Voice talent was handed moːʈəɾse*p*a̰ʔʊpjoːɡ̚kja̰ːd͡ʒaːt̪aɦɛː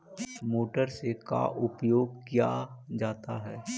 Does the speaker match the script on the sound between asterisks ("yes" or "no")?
no